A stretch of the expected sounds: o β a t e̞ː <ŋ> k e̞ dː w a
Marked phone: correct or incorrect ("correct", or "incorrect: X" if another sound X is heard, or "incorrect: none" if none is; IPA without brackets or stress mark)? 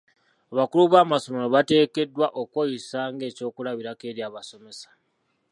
incorrect: none